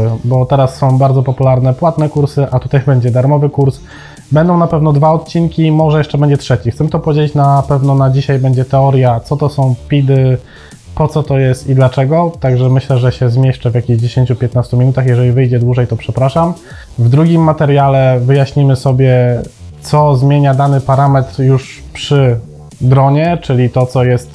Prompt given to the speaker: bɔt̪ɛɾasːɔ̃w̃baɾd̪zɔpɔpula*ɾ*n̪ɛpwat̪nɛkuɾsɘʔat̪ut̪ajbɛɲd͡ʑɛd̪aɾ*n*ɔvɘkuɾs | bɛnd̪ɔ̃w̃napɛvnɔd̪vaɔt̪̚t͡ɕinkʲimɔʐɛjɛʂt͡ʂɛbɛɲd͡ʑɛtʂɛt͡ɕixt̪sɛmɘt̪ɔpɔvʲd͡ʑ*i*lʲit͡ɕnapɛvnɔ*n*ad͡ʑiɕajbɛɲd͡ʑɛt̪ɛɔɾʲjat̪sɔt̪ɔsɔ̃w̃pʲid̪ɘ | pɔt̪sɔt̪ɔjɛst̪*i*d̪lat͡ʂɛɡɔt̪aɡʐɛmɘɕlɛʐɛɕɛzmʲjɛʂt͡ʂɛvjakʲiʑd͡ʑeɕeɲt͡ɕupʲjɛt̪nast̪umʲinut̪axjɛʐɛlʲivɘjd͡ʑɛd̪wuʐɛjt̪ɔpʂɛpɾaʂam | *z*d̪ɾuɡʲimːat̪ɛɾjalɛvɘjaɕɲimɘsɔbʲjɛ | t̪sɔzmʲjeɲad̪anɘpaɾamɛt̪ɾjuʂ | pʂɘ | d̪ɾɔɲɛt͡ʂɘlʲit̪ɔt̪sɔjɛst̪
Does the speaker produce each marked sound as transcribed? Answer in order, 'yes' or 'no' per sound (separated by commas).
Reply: yes, no, no, yes, yes, no